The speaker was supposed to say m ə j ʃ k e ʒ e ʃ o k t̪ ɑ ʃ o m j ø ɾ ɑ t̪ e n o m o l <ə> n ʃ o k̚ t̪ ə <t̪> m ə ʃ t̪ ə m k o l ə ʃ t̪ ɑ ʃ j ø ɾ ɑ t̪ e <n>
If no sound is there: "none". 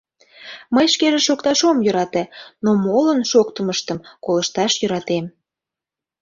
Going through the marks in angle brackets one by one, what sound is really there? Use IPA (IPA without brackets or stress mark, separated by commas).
ə, none, m